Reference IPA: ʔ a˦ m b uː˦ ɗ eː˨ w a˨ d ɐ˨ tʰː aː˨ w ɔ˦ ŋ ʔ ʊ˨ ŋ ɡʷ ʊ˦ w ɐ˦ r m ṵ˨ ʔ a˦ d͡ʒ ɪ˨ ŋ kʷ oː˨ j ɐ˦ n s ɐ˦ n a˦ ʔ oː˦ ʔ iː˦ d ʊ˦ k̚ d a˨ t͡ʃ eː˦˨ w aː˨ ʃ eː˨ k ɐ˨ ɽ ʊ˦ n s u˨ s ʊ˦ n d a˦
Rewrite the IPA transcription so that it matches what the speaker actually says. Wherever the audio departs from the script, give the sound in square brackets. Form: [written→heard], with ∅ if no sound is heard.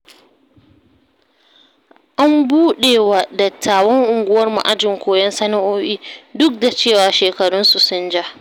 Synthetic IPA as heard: ʔ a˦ m b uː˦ ɗ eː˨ w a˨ d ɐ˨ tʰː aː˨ w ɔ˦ ŋ ʔ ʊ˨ ŋ ɡʷ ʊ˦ w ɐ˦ r m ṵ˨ ʔ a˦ d͡ʒ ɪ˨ ŋ kʷ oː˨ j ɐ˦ n s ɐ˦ n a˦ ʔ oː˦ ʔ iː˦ d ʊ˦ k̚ d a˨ t͡ʃ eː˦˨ w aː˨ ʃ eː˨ k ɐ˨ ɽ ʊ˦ n s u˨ s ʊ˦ n [d→d͡ʒ] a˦